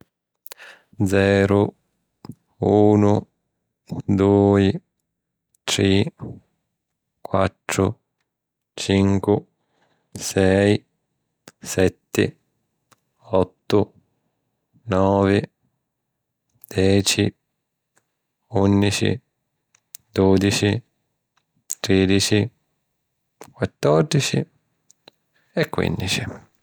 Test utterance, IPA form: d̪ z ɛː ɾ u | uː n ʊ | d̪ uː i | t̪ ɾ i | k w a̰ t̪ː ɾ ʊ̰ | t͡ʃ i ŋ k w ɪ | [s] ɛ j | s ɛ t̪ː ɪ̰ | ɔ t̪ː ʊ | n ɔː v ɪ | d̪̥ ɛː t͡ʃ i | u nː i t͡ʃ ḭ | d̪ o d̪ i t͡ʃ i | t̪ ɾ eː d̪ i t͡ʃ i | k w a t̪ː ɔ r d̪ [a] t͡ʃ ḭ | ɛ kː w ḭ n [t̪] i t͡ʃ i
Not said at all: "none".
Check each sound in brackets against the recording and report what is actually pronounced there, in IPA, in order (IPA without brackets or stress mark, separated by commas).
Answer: s, i, d̪